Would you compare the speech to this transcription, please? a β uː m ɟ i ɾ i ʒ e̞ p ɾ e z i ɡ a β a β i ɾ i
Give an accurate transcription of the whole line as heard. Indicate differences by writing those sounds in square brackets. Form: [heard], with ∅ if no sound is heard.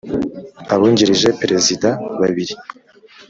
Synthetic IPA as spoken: a β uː [ɲ] ɟ i ɾ i ʒ e̞ p ɾ e z i [d] a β a β i ɾ i